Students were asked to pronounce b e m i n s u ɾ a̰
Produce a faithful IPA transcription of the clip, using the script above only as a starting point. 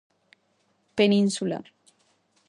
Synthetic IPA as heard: p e n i n s u l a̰